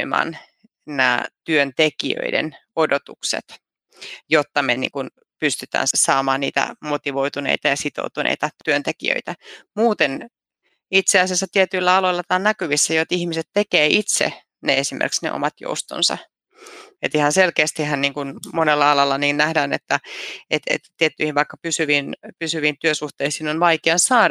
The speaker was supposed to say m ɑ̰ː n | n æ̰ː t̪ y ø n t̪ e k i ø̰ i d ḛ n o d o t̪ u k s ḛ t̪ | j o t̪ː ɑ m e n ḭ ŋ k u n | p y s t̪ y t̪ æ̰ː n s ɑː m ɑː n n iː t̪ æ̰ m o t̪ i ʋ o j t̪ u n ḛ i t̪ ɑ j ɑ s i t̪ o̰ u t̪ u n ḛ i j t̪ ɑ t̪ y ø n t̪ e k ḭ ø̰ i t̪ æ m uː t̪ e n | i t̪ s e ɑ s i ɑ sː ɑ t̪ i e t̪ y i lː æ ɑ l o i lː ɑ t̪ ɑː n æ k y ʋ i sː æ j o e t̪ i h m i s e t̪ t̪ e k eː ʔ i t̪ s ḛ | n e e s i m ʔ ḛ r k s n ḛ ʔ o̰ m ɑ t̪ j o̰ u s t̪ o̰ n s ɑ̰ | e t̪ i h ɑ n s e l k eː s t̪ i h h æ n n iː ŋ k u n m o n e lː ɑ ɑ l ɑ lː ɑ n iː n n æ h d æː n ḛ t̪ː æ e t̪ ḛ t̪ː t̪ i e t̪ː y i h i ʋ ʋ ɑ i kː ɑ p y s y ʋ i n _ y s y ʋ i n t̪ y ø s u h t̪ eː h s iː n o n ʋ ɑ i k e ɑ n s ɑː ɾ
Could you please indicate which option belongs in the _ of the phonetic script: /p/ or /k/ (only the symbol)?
p